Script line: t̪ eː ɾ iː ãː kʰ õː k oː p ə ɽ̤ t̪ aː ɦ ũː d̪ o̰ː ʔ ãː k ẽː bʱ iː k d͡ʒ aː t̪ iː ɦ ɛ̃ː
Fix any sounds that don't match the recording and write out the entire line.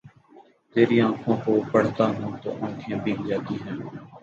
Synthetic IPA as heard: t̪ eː ɾ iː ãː kʰ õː k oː p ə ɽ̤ t̪ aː ɦ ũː t̪ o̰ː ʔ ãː kʰ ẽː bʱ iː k d͡ʒ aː t̪ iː ɦ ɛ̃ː